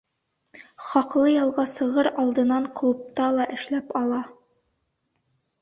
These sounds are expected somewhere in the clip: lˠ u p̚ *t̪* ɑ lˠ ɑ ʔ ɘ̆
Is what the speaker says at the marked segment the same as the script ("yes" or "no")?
yes